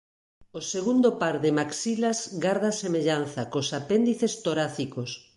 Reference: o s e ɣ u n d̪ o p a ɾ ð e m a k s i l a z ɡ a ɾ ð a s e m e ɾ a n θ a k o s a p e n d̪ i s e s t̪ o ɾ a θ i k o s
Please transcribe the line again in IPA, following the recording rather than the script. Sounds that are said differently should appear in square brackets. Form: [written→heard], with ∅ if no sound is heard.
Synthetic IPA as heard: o s e ɣ u n d̪ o p a ɾ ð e m a k s i l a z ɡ a ɾ ð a s e m e [ɾ→ʎ] a n θ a k o s a p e n d̪ i [s→θ] e s t̪ o ɾ a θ i k o s